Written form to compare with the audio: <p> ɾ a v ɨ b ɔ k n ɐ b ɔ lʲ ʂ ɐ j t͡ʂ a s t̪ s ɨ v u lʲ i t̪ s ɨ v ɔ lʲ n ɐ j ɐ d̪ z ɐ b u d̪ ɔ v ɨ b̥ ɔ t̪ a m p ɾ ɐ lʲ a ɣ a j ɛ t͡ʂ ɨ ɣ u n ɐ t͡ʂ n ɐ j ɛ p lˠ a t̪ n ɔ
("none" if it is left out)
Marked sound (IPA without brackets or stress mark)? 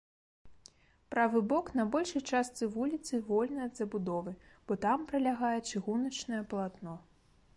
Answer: p